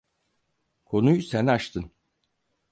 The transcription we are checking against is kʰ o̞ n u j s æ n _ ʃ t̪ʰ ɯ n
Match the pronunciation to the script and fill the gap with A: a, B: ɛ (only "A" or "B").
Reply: A